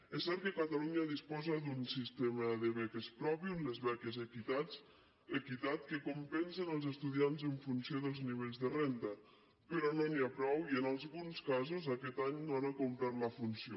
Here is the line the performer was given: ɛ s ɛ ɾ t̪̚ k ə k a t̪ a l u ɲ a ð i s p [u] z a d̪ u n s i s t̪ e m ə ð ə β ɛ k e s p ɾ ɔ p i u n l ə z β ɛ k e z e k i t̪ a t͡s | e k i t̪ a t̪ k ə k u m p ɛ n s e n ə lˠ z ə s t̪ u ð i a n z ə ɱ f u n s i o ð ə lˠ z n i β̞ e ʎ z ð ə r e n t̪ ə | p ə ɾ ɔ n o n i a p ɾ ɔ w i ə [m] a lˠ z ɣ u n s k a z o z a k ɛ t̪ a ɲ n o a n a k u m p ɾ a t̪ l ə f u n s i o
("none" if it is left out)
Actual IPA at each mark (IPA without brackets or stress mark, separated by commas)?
ɔ, n